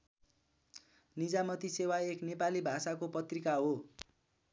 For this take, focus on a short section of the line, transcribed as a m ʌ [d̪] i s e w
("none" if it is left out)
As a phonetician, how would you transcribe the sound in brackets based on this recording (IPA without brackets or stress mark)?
t̪